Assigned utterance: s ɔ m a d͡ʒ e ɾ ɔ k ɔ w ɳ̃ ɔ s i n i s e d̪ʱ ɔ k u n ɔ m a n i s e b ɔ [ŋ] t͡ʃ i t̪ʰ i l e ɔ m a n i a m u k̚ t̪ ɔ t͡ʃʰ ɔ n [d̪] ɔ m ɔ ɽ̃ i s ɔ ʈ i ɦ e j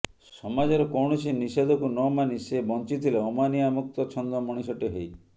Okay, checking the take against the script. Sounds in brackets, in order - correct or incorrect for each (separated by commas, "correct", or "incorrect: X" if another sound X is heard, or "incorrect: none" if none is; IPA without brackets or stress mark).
incorrect: n, correct